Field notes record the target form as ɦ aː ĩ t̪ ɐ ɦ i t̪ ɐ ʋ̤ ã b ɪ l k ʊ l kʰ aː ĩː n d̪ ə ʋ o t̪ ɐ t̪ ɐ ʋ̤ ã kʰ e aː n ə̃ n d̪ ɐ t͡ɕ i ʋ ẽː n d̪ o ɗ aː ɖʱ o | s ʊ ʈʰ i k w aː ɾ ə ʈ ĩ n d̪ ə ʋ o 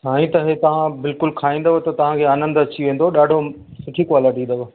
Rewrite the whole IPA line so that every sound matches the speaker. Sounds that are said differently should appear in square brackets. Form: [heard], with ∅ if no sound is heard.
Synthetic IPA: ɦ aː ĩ t̪ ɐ ɦ [e] t̪ ɐ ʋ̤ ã b ɪ l k ʊ l kʰ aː ĩː n d̪ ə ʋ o t̪ ɐ t̪ ɐ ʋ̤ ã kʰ e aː n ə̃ n d̪ ɐ t͡ɕ i ʋ ẽː n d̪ o ɗ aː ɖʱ o | s ʊ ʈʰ i k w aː [l] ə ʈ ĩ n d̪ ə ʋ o

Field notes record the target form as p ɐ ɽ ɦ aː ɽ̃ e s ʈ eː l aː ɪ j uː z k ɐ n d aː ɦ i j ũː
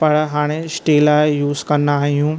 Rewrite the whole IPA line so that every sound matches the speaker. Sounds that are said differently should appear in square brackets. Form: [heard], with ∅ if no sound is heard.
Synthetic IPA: p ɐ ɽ ɦ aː ɽ̃ e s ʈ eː l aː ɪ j uː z k ɐ n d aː ɦ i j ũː

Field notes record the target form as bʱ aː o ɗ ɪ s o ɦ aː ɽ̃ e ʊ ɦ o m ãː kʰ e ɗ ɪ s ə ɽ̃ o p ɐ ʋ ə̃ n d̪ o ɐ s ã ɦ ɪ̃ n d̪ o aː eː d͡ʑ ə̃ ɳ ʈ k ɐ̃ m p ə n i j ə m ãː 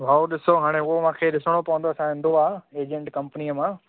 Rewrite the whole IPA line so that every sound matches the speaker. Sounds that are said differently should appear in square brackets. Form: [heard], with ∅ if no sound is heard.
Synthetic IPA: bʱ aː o ɗ ɪ s o ɦ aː ɽ̃ e ʊ ɦ o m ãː kʰ e ɗ ɪ s ə ɽ̃ o p ɐ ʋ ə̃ n d̪ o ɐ s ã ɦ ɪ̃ n d̪ o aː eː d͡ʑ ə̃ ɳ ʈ k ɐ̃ m p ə n i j ə m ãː

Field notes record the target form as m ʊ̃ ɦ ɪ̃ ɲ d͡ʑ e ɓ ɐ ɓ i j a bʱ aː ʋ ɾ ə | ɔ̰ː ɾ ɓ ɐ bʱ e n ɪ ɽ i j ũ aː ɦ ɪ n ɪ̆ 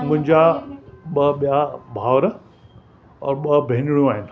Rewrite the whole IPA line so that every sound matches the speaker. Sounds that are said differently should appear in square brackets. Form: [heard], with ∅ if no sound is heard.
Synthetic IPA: m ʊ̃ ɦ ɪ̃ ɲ d͡ʑ [a] ɓ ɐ ɓ i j a bʱ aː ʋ ɾ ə | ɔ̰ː ɾ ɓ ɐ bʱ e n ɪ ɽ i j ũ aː ɦ ɪ n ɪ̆

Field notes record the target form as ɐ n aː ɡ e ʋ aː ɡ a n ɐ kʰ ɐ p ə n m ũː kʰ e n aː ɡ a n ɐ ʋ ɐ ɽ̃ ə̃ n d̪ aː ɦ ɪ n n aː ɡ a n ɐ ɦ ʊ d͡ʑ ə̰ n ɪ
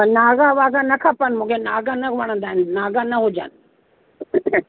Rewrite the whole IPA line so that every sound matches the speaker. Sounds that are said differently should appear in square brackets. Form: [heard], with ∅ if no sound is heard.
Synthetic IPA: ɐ n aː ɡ [a] ʋ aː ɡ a n ɐ kʰ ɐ p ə n m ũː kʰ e n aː ɡ a n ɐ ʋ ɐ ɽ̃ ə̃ n d̪ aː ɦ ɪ n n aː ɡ a n ɐ ɦ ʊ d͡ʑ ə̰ n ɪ

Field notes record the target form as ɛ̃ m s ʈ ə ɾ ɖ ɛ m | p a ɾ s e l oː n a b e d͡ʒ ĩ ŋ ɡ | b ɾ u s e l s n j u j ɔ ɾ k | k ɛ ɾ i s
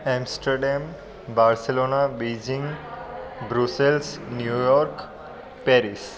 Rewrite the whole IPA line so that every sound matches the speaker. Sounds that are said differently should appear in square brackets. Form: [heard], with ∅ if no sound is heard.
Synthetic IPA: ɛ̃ m s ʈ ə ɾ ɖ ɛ m | [b] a ɾ s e l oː n a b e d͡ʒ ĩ ŋ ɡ | b ɾ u s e l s n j u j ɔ ɾ k | [p] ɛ ɾ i s

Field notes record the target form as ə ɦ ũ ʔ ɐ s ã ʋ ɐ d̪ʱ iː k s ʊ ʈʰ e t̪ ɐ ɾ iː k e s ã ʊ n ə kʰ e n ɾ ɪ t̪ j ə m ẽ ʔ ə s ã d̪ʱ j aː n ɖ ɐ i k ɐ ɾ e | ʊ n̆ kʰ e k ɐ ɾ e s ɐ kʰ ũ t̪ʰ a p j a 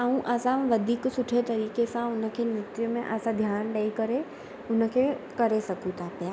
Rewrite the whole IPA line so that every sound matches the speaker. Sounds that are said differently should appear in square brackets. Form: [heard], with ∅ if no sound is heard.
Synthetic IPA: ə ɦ ũ ʔ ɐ s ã ʋ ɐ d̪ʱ iː k s ʊ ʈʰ e t̪ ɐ ɾ iː k e s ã ʊ n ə kʰ e n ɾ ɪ t̪ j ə m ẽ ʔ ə s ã d̪ʱ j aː n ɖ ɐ i k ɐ ɾ e | ʊ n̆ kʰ e k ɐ ɾ e s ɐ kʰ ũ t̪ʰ a p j a

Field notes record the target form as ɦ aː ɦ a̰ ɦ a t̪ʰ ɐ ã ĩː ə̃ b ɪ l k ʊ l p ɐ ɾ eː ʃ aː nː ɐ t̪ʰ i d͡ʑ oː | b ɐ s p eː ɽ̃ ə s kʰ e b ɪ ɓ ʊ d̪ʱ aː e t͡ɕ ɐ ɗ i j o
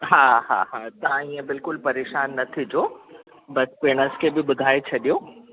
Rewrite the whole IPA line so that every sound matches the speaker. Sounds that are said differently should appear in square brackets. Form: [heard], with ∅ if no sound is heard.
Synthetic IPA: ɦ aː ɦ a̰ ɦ a [t̪] ɐ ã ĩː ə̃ b ɪ l k ʊ l p ɐ ɾ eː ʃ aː nː ɐ t̪ʰ i d͡ʑ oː | b ɐ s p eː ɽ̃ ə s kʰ e b ɪ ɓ ʊ d̪ʱ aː e [t͡ɕʰ] ɐ ɗ i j o

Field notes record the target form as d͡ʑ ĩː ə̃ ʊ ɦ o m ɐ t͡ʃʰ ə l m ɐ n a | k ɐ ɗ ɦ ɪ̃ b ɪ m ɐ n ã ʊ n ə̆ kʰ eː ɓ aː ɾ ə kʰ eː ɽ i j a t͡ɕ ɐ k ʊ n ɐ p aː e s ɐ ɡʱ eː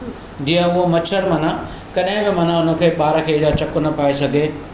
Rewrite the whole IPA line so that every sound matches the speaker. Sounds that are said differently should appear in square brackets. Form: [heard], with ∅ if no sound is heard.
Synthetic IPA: d͡ʑ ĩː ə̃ ʊ ɦ o m ɐ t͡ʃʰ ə [ɾ] m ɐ n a | k ɐ ɗ ɦ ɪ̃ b ɪ m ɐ n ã ʊ n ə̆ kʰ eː ɓ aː ɾ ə kʰ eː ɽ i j a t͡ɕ ɐ k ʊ n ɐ p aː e s ɐ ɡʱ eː

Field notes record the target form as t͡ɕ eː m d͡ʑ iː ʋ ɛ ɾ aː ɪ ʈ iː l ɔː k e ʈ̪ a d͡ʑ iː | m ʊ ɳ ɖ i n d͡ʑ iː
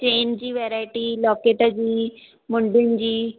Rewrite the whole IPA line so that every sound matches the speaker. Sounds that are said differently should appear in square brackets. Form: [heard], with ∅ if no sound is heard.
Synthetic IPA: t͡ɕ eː [n] d͡ʑ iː ʋ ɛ ɾ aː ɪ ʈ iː l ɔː k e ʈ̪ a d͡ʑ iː | m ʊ ɳ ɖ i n d͡ʑ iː

